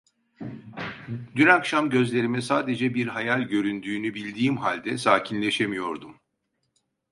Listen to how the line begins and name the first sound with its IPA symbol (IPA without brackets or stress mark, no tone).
d̪